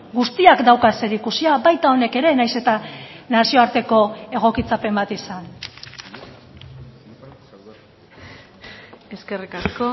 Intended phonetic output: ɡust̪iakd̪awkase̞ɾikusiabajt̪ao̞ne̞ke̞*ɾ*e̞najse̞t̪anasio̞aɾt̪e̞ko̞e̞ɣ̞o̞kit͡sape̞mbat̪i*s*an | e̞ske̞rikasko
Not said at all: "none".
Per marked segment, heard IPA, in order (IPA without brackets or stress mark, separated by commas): ɾ, s